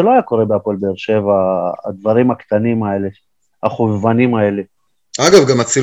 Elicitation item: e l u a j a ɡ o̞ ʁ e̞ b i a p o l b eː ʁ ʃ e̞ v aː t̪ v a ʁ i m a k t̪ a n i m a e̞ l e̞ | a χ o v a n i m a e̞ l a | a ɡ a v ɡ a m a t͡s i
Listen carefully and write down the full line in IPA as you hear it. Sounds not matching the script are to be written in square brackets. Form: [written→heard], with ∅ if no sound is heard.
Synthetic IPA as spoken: e l [u→o] a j a [ɡ→k] o̞ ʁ e̞ b [i→e] a p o l b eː ʁ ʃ e̞ v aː [t̪→d̪] v a ʁ i m a k t̪ a n i m a e̞ l e̞ | a χ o v a n i m a e̞ l [a→e] | a ɡ a v ɡ a m a t͡s i